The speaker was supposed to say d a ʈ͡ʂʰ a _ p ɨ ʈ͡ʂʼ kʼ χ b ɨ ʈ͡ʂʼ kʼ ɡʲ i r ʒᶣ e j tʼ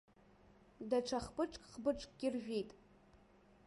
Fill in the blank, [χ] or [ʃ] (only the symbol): χ